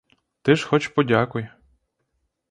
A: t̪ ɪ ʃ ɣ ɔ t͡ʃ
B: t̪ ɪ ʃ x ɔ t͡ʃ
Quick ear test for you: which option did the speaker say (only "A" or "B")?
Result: B